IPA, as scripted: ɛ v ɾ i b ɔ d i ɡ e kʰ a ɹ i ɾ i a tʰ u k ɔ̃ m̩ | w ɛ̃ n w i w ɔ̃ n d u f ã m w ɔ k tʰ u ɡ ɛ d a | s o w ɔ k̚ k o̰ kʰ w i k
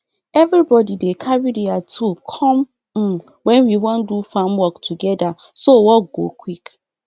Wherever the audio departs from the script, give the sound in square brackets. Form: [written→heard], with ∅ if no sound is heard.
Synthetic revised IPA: ɛ v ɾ i b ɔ d i [ɡ→d] e kʰ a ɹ i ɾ i a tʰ u [k→kʰ] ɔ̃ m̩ | w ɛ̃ n w i w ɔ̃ n d u f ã m w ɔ k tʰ u ɡ ɛ d a | s o w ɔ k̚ [k→ɡ] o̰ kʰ w i k